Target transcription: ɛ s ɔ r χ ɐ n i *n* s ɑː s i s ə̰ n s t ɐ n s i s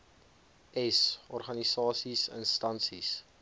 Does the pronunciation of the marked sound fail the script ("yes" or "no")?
yes